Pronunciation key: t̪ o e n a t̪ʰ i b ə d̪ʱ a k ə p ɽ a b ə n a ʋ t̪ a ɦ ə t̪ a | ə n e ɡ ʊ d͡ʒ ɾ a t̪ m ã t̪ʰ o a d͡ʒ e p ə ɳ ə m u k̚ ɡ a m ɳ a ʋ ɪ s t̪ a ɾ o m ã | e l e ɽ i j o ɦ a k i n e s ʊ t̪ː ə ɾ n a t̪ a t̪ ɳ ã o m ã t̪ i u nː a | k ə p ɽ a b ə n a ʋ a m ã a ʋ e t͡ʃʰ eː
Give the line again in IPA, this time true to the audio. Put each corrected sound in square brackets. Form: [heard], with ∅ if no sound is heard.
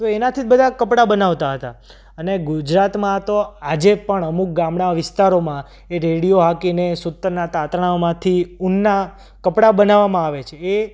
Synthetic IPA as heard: t̪ o e n a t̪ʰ i b ə d̪ʱ a k ə p ɽ a b ə n a ʋ t̪ a ɦ ə t̪ a | ə n e ɡ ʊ d͡ʒ ɾ a t̪ m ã [t̪] o a d͡ʒ e p ə ɳ ə m u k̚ ɡ a m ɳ a ʋ ɪ s t̪ a ɾ o m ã | e [ɾ] e ɽ i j o ɦ a k i n e s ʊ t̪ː ə ɾ n a t̪ a t̪ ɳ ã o m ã [t̪ʰ] i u nː a | k ə p ɽ a b ə n a ʋ a m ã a ʋ e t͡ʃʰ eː